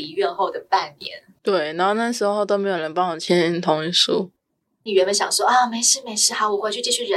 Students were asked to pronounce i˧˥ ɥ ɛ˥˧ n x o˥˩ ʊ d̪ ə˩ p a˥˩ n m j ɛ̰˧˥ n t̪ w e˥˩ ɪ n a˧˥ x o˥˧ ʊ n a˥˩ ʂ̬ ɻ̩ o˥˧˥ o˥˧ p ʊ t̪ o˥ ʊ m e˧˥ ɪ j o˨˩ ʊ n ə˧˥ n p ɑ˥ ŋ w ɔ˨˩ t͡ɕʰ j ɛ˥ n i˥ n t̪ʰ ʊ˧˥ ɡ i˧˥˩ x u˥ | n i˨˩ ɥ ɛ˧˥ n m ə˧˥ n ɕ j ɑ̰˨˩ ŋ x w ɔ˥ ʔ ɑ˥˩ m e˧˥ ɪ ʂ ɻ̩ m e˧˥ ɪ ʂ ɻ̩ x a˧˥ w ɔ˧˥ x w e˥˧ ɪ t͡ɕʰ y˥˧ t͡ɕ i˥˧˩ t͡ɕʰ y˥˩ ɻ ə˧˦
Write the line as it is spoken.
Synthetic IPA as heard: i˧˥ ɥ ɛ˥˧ n x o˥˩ ʊ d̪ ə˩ p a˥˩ n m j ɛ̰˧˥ n t̪ w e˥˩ ɪ n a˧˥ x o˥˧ ʊ n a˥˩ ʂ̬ ɻ̩ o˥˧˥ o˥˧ ʊ t̪ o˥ ʊ m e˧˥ ɪ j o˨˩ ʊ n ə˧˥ n p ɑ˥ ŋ w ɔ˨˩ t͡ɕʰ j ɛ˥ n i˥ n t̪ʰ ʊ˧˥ ŋ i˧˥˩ ʂ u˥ | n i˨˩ ɥ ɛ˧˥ n m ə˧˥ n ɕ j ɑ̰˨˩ ŋ ʂ w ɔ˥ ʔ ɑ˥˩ m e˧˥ ɪ ʂ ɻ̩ m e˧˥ ɪ ʂ ɻ̩ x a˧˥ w ɔ˨˩ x w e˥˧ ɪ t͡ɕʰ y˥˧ t͡ɕ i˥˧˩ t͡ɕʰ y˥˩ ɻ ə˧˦